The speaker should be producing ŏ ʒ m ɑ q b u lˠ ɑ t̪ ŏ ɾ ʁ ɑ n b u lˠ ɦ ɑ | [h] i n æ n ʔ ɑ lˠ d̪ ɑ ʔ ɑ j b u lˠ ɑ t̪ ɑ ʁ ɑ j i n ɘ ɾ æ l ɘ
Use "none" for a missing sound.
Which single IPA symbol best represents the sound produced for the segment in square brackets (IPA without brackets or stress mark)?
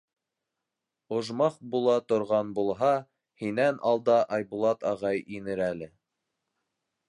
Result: h